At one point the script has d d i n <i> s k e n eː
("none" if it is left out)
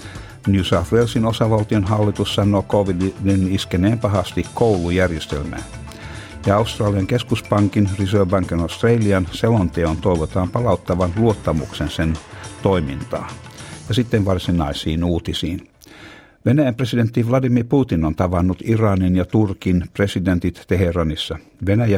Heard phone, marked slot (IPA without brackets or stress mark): i